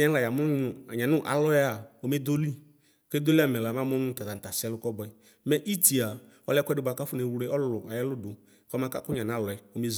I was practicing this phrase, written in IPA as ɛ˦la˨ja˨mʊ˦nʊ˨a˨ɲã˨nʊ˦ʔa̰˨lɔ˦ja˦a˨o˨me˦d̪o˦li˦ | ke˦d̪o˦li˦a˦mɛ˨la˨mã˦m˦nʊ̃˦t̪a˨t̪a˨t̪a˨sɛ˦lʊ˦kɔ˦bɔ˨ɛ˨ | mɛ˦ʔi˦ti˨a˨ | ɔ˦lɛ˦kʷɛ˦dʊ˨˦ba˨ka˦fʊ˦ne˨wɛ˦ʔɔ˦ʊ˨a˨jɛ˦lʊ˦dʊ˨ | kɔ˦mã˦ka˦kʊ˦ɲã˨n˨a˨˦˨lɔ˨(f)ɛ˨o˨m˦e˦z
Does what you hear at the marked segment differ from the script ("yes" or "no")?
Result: yes